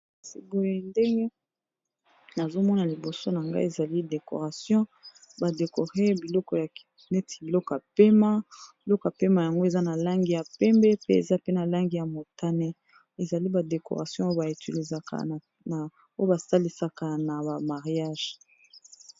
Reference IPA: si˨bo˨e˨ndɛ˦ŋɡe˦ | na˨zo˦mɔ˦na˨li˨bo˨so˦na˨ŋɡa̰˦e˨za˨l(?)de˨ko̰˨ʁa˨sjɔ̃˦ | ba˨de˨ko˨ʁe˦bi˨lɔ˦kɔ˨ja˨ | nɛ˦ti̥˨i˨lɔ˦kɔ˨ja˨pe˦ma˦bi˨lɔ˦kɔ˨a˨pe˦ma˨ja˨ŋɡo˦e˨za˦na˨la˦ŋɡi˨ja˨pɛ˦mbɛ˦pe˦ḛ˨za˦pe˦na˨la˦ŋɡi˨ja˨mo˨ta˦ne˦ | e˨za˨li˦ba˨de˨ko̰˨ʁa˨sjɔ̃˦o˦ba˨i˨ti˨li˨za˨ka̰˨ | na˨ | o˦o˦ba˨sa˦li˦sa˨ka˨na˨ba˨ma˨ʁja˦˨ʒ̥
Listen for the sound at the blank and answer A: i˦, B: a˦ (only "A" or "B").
A